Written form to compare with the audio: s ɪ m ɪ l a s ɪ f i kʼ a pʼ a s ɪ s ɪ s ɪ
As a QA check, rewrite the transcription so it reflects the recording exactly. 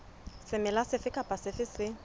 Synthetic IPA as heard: s ɪ m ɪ l a s ɪ f ɪ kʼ a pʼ a s ɪ f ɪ s ɪ